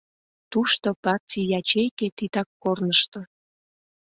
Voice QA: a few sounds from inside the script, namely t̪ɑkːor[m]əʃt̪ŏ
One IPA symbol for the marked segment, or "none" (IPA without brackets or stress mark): n